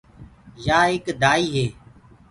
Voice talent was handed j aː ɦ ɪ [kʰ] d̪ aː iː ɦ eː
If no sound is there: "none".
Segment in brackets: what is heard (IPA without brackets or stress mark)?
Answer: k